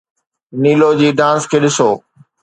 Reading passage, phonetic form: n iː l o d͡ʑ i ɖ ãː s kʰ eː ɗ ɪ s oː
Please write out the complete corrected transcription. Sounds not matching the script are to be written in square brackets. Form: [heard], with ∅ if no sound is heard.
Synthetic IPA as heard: n iː l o d͡ʑ [iː] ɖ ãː s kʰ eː ɗ ɪ s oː